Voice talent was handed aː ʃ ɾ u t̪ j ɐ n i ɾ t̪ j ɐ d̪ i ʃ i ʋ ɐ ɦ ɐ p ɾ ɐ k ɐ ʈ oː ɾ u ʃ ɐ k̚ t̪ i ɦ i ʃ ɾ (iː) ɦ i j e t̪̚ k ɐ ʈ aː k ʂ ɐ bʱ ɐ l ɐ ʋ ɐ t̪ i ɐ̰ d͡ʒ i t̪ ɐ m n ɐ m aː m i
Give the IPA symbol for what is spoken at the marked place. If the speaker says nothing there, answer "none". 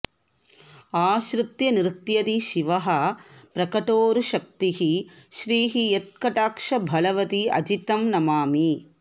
iː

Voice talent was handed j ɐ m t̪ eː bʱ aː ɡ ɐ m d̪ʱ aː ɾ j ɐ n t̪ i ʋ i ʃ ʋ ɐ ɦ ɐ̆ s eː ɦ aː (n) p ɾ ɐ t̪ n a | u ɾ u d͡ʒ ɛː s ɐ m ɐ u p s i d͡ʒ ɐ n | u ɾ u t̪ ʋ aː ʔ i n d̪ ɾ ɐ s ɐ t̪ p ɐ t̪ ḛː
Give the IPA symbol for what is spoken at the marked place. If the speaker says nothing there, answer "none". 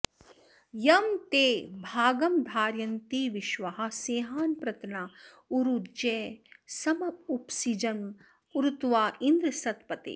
n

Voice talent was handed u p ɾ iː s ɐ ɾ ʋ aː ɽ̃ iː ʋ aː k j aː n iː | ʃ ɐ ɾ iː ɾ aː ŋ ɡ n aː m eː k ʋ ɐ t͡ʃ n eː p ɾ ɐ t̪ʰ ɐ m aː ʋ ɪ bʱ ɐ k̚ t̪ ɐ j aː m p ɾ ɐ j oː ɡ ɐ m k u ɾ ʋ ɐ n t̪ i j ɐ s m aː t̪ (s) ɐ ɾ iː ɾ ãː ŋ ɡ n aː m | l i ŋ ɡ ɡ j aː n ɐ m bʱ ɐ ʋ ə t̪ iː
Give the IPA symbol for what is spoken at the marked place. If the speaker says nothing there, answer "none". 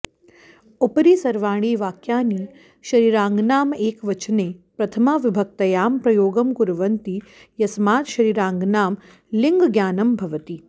ʃ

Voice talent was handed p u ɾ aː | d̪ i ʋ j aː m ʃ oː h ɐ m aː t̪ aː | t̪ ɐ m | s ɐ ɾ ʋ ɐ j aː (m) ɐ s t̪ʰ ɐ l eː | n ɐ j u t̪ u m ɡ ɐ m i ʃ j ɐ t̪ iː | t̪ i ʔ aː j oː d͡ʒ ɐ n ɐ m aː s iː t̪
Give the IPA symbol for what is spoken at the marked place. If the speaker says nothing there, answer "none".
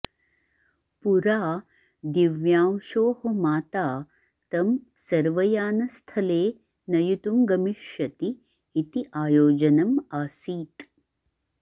n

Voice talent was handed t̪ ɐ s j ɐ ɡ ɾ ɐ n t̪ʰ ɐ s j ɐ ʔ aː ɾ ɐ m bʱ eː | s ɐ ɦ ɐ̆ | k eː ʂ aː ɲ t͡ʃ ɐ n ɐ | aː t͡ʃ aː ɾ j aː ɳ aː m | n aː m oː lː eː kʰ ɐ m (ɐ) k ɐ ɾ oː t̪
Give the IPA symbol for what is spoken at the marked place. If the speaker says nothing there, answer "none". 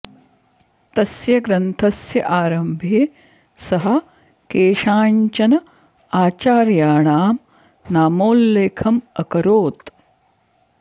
ɐ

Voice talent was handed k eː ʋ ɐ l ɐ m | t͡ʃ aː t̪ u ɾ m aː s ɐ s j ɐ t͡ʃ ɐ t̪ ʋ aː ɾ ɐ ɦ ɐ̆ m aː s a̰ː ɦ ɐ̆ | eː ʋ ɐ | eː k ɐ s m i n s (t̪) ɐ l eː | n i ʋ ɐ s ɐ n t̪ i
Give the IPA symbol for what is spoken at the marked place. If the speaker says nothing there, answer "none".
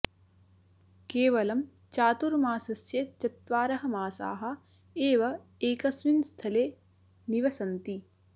t̪ʰ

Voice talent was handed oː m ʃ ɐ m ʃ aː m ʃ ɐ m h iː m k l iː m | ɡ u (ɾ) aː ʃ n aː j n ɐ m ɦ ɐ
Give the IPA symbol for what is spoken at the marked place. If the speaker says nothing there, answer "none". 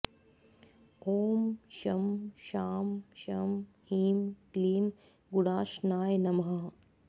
ɽ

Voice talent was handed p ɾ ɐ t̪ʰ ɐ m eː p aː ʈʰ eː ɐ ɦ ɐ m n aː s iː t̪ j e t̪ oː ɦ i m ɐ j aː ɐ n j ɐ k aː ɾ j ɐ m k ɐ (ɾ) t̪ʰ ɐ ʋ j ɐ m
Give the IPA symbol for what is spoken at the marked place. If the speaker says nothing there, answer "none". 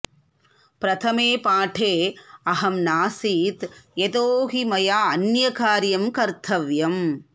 ɾ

